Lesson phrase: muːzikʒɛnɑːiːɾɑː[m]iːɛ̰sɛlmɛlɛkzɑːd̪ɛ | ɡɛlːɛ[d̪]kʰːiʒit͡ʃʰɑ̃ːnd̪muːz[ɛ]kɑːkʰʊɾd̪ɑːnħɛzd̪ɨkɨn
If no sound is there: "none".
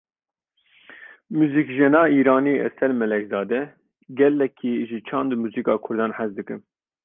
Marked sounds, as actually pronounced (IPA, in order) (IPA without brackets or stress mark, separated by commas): n, none, i